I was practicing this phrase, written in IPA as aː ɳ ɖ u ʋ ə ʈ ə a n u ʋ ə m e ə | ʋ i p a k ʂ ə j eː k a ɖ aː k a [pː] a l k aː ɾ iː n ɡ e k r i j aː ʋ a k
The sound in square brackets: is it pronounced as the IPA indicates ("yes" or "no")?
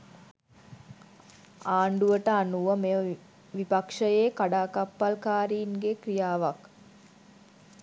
yes